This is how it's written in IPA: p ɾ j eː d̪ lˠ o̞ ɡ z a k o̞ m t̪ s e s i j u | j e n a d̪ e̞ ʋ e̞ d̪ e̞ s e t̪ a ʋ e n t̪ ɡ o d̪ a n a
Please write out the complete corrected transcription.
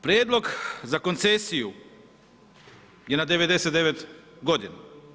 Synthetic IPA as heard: p ɾ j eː d̪ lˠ o̞ ɡ z a k o̞ n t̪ s e s i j u | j e n a d̪ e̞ ʋ e̞ d̪ e̞ s e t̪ e ʋ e t̪ ɡ o d̪ i n a